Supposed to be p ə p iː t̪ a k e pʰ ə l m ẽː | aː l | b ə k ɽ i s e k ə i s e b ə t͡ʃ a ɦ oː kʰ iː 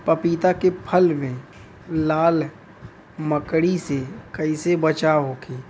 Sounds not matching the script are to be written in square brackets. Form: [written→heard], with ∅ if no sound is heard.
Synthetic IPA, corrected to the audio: p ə p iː t̪ a k e pʰ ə l m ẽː | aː l | [b→m] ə k ɽ i s e k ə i s e b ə t͡ʃ a ɦ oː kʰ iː